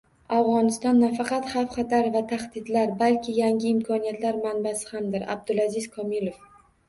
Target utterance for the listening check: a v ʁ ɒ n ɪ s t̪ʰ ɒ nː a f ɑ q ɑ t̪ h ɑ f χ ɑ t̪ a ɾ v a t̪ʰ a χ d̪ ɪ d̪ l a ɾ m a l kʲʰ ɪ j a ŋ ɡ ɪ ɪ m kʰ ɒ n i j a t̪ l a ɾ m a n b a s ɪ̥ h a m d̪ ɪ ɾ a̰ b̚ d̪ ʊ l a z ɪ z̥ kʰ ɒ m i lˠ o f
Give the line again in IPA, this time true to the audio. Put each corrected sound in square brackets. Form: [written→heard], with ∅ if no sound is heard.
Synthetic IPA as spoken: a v ʁ ɒ n ɪ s [t̪ʰ→t̪] ɒ nː a f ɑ q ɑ t̪ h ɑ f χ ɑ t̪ a ɾ v a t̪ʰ a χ d̪ ɪ d̪ l a ɾ [m→b] a l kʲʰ ɪ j a ŋ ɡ ɪ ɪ m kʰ ɒ n i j a t̪ l a ɾ m a n b a s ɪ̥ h a m d̪ ɪ ɾ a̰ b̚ d̪ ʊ l a z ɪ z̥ kʰ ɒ m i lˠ o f

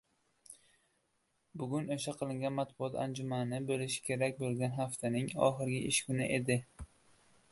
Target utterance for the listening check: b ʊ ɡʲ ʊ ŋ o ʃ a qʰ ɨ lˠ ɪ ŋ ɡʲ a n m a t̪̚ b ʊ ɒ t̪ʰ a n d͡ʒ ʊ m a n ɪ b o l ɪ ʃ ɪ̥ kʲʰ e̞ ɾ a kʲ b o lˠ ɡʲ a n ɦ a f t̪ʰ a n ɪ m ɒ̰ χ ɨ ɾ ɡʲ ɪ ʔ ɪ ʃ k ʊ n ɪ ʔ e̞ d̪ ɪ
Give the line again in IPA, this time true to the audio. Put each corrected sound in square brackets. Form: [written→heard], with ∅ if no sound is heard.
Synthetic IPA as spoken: b ʊ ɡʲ ʊ [ŋ→n] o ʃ a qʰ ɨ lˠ ɪ ŋ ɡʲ a n m a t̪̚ b ʊ ɒ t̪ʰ a n d͡ʒ ʊ m a n ɪ b o l ɪ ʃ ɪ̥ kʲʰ e̞ ɾ a kʲ b o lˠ ɡʲ a n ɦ a f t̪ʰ a n ɪ [m→ŋ] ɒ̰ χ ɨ ɾ ɡʲ ɪ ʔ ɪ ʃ k ʊ n ɪ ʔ e̞ d̪ ɪ

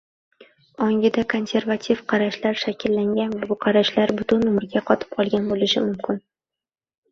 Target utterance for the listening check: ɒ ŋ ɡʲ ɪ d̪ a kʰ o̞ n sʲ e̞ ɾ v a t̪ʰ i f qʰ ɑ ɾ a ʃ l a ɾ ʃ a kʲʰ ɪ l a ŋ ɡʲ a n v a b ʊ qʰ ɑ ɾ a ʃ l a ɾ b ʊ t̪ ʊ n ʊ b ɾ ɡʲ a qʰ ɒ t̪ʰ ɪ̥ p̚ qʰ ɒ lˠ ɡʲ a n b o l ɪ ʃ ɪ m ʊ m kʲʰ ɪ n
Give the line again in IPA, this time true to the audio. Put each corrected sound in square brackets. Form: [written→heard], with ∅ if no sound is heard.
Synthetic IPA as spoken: ɒ ŋ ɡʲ ɪ d̪ a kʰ o̞ n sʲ e̞ ɾ v a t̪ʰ i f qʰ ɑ ɾ a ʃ l a ɾ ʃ a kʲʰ ɪ [l→lː] a ŋ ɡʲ a n v a b ʊ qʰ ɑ ɾ a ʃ l a ɾ b ʊ t̪ ʊ n ʊ [b→m] ɾ ɡʲ a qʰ ɒ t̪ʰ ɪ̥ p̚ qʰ ɒ lˠ ɡʲ a n b o l ɪ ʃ ɪ m ʊ m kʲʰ ɪ n

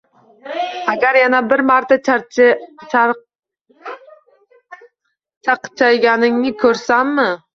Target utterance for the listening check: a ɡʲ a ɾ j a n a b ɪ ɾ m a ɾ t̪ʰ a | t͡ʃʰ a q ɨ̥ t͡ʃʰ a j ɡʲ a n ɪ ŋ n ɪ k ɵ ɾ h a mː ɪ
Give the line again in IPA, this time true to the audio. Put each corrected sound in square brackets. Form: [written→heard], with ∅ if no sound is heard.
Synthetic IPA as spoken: a ɡʲ a ɾ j a n a b ɪ ɾ m a ɾ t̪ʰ a | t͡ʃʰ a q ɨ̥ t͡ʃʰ a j ɡʲ a n ɪ ŋ n ɪ [k→kʰ] ɵ ɾ [h→s] a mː ɪ

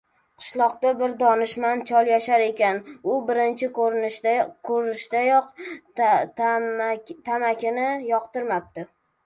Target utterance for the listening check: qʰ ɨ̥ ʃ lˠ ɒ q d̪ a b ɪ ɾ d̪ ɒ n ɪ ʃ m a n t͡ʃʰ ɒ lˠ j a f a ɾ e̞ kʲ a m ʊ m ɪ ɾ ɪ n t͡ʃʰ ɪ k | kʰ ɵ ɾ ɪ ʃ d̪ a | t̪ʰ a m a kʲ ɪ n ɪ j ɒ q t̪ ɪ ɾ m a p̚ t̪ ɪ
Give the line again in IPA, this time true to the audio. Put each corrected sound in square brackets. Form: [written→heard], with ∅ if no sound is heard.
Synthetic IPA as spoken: qʰ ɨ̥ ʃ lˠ ɒ q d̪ a b ɪ ɾ d̪ ɒ n ɪ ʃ m a n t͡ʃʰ ɒ lˠ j a [f→ʃ] a ɾ e̞ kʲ a [m→n] ʊ [m→b] ɪ ɾ ɪ n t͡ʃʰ ɪ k | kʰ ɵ ɾ ɪ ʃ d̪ a | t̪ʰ a m a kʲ ɪ n ɪ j ɒ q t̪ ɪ ɾ m a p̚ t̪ ɪ

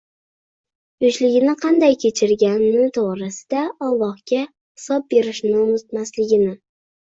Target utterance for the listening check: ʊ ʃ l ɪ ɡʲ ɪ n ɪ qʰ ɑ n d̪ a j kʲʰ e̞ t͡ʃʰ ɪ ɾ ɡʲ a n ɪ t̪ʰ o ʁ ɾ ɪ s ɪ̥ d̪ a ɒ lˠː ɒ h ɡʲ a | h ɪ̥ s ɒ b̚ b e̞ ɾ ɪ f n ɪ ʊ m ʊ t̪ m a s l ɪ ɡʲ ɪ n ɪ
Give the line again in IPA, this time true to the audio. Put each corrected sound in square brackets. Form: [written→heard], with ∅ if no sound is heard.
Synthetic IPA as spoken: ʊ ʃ l ɪ ɡʲ ɪ n ɪ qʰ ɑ n d̪ a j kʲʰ e̞ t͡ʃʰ ɪ ɾ ɡʲ a n ɪ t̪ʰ o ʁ ɾ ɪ s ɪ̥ d̪ a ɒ lˠː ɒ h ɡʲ a | h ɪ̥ s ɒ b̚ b e̞ ɾ ɪ [f→ʃ] n ɪ ʊ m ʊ t̪ m a s l ɪ ɡʲ ɪ n ɪ

